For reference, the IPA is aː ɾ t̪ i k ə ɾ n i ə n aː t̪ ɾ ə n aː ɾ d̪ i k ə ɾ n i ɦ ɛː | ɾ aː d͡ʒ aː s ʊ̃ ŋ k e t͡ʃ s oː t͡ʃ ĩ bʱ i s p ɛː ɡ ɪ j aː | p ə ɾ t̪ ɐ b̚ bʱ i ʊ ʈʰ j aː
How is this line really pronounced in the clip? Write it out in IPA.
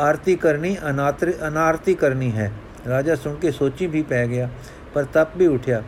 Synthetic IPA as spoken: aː ɾ t̪ i k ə ɾ n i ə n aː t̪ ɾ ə n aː ɾ t̪ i k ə ɾ n i ɦ ɛː | ɾ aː d͡ʒ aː s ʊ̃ ŋ k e s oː t͡ʃ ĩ bʱ i p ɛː ɡ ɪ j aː | p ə ɾ t̪ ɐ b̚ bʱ i ʊ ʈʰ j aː